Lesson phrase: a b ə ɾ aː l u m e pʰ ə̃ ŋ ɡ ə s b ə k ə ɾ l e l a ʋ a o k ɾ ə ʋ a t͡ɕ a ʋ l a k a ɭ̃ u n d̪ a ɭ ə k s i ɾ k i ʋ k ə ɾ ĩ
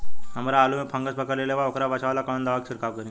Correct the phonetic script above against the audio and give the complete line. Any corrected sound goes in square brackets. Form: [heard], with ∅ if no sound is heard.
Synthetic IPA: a [m] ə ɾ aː l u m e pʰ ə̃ ŋ ɡ ə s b ə k ə ɾ l e l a ʋ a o k ɾ [a] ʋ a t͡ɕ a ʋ l a k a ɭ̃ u n d̪ a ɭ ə k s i ɾ k [a] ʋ k ə ɾ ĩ